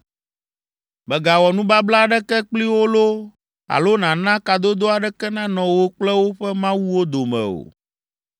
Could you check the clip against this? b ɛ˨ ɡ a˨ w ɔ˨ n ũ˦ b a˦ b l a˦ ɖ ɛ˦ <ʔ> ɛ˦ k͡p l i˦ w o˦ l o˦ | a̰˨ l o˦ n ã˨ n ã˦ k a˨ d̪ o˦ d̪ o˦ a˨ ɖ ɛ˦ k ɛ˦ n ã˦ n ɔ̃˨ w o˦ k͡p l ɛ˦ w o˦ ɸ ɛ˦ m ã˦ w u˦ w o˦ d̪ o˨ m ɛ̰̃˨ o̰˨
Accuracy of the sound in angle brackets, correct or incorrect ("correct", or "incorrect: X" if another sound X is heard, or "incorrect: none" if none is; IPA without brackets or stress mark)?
incorrect: k